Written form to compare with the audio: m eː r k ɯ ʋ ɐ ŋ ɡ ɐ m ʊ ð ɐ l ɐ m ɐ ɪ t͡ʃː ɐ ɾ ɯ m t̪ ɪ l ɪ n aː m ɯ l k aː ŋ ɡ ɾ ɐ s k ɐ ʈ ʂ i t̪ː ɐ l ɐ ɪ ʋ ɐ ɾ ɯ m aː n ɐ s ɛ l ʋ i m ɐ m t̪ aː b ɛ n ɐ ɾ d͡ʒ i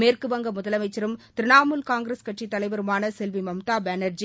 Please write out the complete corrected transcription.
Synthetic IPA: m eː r k ɯ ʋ ɐ ŋ ɡ ɐ m ʊ ð ɐ l ɐ m ɐ ɪ t͡ʃː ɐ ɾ ɯ m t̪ ɪ ɾ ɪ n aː m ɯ l k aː ŋ ɡ ɾ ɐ s k ɐ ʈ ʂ i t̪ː ɐ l ɐ ɪ ʋ ɐ ɾ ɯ m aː n ɐ s ɛ l ʋ i m ɐ m t̪ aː b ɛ n ɐ ɾ d͡ʒ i